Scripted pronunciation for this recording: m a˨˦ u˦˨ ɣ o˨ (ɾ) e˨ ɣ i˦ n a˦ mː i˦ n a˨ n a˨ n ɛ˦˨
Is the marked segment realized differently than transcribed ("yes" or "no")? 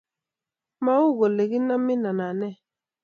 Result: yes